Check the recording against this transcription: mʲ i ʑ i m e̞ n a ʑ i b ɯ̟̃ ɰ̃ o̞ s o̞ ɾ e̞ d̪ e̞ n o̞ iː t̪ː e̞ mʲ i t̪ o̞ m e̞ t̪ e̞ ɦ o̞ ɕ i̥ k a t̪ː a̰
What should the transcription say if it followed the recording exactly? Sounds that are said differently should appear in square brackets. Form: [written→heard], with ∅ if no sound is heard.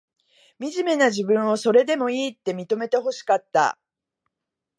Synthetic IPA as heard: mʲ i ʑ i m e̞ n a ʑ i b ɯ̟̃ ɰ̃ o̞ s o̞ ɾ e̞ d̪ e̞ [n→m] o̞ iː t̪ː e̞ mʲ i t̪ o̞ m e̞ t̪ e̞ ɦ o̞ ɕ i̥ k a t̪ː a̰